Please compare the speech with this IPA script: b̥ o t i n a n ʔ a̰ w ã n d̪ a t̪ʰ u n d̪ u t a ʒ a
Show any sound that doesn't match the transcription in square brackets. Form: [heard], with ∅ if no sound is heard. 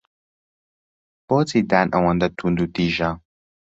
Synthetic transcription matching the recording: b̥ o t i [d] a n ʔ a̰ w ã n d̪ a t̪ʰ u n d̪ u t [i] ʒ a